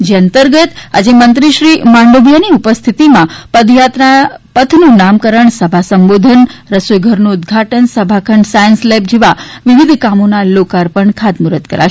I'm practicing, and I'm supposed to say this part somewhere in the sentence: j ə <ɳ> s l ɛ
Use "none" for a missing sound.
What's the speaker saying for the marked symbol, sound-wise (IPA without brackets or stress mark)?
n